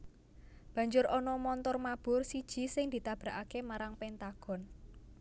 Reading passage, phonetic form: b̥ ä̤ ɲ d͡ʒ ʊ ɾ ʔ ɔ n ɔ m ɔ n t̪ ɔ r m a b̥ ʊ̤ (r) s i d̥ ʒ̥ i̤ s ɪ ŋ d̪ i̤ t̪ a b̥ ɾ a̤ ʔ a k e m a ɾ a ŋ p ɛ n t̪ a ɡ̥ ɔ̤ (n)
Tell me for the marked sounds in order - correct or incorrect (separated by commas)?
correct, correct